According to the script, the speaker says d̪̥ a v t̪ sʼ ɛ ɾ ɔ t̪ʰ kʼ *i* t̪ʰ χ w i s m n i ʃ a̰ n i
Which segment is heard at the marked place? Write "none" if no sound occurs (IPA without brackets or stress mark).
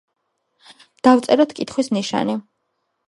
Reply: i